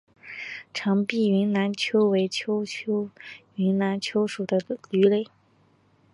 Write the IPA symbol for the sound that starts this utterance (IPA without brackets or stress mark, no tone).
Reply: ʈ͡ʂʰ